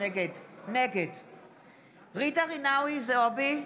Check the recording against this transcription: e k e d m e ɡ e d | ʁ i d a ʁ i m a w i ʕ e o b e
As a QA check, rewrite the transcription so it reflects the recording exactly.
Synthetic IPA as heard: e ɡ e d n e ɡ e d | ʁ i d a ʁ i n a w i z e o b i